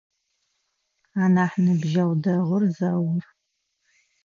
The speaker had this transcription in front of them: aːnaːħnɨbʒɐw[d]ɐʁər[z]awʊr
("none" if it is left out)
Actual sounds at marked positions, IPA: d, z

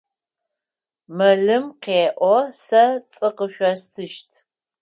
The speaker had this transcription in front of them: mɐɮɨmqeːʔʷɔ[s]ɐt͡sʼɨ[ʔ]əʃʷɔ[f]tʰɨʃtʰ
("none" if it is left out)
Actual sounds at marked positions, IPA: s, q, s

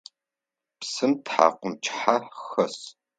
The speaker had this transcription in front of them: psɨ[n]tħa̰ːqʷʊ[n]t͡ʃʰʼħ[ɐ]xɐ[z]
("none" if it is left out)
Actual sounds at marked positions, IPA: m, m, a, s

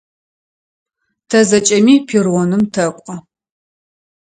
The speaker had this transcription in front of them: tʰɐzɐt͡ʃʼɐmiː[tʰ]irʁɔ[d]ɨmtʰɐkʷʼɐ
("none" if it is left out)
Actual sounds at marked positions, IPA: pʰ, n

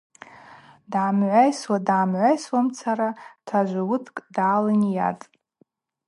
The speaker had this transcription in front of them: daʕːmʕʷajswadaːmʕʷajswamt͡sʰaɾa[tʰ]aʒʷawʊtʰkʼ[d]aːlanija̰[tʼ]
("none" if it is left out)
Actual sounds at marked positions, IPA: tʰ, d, tʼ

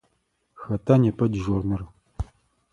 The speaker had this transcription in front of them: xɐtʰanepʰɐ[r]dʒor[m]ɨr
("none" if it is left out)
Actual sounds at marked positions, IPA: none, n

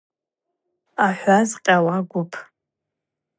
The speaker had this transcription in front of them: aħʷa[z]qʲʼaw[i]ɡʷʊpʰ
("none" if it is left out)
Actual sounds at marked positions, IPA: z, a

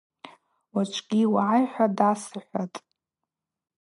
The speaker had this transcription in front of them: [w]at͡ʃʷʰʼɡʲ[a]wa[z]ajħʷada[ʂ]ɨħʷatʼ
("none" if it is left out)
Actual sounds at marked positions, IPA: w, i, ʕ, s

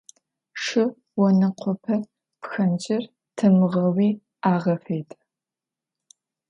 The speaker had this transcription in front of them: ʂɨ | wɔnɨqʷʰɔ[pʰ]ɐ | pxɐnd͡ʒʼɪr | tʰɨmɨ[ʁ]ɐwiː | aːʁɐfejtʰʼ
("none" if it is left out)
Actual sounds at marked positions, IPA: pʰ, ʁ

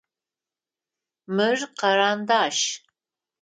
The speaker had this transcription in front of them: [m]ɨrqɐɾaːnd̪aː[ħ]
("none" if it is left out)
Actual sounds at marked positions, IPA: m, ʃ

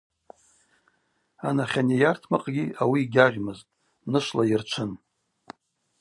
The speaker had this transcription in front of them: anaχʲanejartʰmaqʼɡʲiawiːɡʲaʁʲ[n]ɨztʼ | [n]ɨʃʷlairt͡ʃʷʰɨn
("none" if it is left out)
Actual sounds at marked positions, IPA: m, n

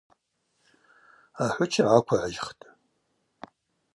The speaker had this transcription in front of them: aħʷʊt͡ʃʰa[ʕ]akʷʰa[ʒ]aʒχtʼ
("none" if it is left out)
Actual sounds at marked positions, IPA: ʕ, ʕ

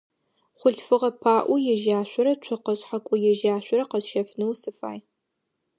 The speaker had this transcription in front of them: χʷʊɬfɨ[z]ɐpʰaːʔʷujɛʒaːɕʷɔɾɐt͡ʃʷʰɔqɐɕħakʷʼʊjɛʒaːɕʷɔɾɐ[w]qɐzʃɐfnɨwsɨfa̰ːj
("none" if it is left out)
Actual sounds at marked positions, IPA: ʁ, none

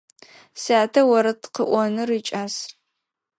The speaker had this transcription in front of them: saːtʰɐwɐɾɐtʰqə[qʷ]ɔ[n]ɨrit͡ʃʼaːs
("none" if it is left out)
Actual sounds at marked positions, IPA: ʔʷ, n

